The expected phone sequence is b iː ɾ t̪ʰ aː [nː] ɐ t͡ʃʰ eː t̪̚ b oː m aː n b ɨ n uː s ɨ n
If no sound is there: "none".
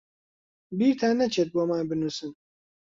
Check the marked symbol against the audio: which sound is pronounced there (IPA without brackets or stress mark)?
n